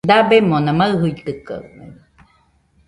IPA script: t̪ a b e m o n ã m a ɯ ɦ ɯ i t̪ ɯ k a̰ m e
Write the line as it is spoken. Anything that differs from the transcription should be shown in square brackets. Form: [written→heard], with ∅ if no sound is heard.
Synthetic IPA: [t̪→d̪] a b e m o n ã m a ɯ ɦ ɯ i t̪ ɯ k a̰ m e